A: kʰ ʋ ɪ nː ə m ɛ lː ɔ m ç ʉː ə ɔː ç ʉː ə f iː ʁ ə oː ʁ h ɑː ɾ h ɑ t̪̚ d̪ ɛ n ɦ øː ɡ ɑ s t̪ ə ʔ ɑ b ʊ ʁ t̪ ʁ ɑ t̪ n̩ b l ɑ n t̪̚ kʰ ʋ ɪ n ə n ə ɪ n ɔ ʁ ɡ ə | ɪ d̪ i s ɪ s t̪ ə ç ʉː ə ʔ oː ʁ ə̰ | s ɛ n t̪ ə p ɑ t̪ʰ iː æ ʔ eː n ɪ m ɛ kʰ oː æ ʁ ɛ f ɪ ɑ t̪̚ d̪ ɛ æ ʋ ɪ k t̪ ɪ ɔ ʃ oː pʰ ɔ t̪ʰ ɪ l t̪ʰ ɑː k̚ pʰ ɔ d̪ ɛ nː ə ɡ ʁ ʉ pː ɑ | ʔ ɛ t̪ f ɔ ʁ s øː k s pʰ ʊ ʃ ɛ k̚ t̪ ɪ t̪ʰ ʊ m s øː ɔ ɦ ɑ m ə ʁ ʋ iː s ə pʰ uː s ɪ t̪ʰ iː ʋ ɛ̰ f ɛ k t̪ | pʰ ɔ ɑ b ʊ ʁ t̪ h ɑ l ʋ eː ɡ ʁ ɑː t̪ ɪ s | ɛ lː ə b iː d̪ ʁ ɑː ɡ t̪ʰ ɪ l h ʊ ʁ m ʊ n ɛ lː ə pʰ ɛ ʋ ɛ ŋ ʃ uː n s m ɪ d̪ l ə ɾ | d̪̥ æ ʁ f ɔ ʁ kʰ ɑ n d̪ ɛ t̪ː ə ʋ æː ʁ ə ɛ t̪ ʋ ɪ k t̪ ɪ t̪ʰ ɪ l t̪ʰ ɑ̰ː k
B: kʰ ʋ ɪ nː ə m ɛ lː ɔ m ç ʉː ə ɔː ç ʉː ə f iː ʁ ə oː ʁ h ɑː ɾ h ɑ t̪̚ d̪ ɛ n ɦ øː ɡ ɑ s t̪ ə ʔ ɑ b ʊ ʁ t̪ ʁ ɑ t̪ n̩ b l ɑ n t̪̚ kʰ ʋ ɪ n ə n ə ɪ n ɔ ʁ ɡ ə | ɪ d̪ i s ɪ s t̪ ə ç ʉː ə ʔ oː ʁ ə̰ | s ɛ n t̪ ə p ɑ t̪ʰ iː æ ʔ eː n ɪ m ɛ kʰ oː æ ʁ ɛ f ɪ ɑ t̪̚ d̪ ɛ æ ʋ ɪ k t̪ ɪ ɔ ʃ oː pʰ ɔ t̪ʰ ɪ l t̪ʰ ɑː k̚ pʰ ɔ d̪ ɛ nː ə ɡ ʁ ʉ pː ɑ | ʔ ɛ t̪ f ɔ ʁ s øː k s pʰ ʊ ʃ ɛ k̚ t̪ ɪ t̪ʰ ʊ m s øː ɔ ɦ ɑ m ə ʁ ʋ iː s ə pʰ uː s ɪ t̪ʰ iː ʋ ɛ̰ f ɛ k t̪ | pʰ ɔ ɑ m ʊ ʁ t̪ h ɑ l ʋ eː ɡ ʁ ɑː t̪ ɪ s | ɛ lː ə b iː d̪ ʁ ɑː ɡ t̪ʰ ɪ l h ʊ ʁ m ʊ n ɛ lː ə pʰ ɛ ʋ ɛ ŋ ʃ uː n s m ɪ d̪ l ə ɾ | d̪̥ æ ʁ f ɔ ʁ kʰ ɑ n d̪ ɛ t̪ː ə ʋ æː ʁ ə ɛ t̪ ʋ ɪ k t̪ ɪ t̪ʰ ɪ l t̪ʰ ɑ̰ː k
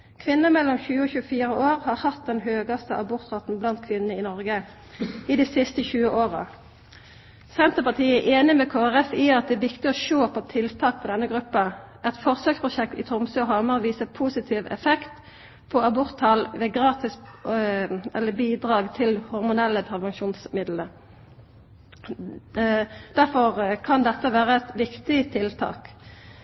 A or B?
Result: A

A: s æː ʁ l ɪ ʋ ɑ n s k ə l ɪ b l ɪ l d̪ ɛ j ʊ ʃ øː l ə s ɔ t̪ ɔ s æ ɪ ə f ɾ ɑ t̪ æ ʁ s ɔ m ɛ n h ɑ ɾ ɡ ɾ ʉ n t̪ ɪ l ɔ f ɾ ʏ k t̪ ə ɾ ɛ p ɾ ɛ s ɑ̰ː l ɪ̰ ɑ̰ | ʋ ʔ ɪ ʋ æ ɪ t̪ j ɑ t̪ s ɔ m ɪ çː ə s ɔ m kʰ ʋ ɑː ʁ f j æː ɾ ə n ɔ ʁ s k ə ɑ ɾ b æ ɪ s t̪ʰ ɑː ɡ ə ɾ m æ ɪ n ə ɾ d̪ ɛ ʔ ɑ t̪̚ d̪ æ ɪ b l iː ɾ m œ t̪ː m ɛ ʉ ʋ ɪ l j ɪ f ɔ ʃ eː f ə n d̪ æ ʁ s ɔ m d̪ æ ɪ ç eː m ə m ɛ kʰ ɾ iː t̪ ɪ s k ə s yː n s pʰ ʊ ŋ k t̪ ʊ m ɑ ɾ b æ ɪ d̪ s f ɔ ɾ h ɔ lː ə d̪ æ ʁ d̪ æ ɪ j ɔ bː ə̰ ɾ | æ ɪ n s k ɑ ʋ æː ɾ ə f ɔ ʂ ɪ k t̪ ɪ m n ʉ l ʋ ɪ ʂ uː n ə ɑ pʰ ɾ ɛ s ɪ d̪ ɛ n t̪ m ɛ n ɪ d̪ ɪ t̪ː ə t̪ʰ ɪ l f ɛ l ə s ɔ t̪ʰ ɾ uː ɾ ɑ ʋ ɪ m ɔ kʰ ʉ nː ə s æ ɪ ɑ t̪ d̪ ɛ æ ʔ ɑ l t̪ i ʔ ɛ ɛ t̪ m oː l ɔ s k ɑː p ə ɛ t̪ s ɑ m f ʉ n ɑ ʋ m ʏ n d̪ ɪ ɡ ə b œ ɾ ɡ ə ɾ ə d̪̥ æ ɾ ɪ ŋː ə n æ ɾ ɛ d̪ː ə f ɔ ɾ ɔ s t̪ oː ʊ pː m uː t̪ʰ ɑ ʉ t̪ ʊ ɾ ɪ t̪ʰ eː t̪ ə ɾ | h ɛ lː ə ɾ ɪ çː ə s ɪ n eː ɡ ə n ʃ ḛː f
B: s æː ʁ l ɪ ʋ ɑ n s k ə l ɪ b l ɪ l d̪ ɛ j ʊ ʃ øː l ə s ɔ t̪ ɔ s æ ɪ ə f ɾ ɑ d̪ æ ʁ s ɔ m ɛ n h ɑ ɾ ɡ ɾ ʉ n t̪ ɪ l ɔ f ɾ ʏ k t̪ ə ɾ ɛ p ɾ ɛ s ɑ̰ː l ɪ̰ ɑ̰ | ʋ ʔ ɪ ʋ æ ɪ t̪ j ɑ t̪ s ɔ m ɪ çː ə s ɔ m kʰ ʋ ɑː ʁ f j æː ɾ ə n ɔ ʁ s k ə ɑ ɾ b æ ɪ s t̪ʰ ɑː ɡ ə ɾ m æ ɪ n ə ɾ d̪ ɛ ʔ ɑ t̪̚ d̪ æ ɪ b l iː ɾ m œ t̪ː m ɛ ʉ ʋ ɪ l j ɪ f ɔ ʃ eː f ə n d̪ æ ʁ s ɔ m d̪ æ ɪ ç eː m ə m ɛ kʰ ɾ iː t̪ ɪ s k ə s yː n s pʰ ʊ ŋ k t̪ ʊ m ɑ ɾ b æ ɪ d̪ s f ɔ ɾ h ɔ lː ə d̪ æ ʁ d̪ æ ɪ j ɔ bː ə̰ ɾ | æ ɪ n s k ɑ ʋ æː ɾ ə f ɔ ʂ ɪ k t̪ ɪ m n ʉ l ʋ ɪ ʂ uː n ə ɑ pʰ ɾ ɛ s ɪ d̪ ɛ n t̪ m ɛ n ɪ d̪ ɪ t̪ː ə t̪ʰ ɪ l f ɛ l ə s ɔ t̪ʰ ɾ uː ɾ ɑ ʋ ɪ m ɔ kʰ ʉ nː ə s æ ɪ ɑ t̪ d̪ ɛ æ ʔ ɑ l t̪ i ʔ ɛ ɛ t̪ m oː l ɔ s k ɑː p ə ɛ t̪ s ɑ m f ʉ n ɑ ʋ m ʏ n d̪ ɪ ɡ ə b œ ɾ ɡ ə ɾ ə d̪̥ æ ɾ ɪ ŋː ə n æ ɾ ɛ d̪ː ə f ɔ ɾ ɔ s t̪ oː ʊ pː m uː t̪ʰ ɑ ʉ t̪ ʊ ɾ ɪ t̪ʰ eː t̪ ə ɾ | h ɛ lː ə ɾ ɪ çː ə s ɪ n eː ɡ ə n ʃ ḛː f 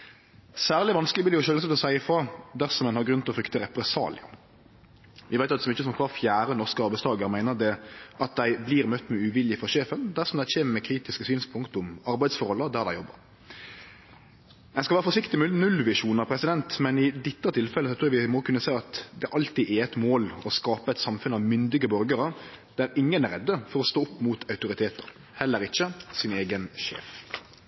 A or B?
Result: B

